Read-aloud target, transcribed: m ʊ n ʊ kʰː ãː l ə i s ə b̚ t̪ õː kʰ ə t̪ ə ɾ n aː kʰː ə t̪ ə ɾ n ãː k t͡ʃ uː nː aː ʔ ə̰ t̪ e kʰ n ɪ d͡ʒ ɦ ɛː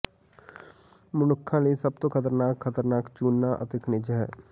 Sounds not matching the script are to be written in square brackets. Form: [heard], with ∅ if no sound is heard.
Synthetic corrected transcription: m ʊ n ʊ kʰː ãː l ə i s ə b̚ t̪ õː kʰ ə t̪ ə ɾ n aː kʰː ə t̪ ə ɾ n [aː] k t͡ʃ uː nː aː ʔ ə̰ t̪ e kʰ n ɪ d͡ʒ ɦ ɛː